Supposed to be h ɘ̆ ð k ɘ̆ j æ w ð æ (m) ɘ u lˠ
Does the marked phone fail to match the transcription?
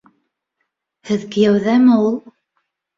no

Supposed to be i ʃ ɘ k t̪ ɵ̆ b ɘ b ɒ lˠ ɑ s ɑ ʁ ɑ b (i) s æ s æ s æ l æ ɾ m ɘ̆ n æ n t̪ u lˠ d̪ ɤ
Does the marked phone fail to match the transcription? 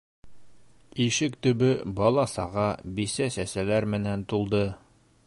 no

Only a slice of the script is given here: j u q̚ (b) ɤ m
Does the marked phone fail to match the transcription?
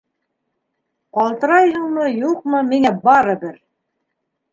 yes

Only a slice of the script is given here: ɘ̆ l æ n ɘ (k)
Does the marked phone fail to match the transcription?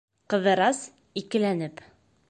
yes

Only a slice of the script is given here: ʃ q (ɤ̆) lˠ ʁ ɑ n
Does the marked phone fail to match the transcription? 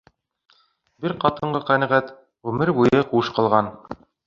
no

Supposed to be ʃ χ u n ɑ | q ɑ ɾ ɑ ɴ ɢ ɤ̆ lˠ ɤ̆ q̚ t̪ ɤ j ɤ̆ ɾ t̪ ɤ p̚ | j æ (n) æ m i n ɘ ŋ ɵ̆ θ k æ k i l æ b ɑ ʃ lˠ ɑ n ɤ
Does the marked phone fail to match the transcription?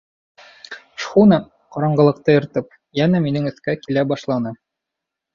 no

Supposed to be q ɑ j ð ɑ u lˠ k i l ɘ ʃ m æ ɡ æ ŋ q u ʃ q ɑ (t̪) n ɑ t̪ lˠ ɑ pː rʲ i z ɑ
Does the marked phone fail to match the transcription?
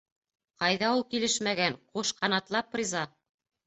yes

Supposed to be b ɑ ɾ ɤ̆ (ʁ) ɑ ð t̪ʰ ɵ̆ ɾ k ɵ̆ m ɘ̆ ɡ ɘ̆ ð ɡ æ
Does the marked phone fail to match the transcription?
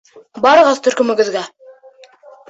no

